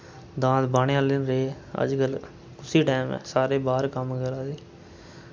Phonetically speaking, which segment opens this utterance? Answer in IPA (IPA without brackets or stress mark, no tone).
d̪